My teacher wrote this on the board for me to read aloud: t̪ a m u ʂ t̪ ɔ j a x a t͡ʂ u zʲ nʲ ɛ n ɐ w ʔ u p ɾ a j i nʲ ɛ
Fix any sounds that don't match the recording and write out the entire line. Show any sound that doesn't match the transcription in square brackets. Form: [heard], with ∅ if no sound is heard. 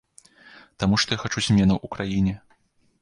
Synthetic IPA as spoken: t̪ a m u ʂ t̪ ɔ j a x a t͡ʂ u zʲ [mʲ] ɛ n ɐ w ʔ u [k] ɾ a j i nʲ ɛ